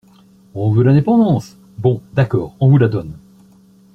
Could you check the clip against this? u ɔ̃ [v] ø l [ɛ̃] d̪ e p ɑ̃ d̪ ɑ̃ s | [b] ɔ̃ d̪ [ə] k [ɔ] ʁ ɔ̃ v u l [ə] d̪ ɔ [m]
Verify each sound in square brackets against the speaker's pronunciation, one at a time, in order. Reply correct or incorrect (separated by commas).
correct, correct, correct, incorrect, incorrect, incorrect, incorrect